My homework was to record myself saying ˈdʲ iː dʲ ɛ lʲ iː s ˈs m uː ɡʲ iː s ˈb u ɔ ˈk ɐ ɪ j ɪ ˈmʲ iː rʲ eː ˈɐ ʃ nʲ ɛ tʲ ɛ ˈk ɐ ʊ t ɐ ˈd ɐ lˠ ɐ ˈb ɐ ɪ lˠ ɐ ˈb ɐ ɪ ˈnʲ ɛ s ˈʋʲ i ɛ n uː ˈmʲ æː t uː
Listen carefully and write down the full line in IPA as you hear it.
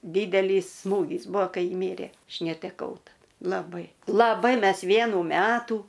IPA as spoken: ˈdʲ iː dʲ ɛ lʲ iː s ˈs m uː ɡʲ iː s ˈb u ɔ ˈk ɐ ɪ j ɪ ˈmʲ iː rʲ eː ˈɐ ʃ nʲ ɛ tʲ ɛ ˈk ɐ ʊ t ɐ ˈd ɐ lˠ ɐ ˈb ɐ ɪ lˠ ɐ ˈb ɐ ɪ ˈmʲ ɛ s ˈʋʲ i ɛ n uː ˈmʲ æː t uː